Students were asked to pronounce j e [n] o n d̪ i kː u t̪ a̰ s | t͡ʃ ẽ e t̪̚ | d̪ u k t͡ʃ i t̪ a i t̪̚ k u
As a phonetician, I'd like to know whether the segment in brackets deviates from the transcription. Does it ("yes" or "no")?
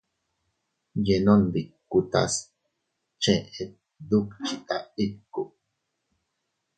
no